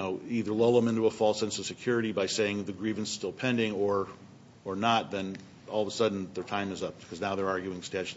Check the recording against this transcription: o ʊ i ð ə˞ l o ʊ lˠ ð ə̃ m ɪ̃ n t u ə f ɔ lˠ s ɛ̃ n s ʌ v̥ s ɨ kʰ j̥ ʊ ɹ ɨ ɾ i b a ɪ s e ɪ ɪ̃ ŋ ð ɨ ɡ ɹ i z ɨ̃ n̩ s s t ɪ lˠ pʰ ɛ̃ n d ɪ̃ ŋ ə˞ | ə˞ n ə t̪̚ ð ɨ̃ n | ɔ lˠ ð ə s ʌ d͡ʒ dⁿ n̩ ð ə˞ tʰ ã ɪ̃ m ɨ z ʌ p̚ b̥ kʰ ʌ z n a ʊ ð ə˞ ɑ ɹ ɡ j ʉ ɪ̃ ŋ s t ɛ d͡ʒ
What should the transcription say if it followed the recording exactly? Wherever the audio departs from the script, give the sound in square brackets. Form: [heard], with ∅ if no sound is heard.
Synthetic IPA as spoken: o ʊ i ð ə˞ l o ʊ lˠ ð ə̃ m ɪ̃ n t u ə f ɔ lˠ s ɛ̃ n s ʌ v̥ s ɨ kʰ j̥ ʊ ɹ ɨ ɾ i b a ɪ s e ɪ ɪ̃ ŋ ð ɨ ɡ ɹ i [v] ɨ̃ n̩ s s t ɪ lˠ pʰ ɛ̃ n d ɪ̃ ŋ ə˞ | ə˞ n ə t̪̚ ð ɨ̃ n | ɔ lˠ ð ə s ʌ [∅] dⁿ n̩ ð ə˞ tʰ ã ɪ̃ m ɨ z ʌ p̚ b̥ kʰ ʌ z n a ʊ ð ə˞ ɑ ɹ ɡ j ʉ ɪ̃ ŋ s t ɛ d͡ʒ